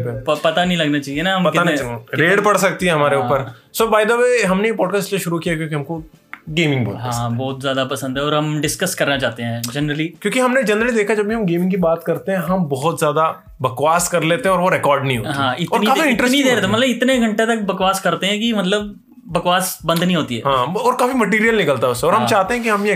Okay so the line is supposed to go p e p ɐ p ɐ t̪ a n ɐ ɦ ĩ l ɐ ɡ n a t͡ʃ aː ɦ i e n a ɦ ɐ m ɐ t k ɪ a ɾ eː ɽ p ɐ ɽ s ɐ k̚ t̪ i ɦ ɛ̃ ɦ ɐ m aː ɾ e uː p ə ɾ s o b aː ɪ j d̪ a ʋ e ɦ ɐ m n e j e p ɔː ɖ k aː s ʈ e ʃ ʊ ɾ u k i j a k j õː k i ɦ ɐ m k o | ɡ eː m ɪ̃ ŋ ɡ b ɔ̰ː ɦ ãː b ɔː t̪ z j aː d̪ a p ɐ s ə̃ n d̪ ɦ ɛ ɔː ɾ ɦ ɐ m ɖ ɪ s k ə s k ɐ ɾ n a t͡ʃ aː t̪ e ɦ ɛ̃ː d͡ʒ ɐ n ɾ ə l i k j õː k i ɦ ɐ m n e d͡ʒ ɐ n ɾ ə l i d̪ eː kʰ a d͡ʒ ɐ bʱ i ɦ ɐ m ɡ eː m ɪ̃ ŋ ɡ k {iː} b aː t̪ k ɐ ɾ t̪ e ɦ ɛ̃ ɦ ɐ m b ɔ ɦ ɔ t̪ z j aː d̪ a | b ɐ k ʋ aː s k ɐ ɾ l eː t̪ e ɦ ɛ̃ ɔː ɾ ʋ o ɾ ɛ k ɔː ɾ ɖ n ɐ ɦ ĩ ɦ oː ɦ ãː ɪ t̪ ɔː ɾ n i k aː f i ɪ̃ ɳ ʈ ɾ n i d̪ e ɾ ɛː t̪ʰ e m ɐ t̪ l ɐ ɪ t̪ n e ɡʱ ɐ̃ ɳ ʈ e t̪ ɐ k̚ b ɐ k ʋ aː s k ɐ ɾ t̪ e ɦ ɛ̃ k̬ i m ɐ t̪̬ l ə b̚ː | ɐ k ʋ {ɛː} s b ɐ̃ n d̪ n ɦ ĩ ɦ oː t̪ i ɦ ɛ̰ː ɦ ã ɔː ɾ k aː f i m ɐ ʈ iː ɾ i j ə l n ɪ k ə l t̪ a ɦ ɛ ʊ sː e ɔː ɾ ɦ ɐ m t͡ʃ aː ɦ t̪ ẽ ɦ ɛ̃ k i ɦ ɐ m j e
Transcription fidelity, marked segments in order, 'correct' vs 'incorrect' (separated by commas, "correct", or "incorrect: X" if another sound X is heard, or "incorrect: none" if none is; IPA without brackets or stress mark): incorrect: i, incorrect: aː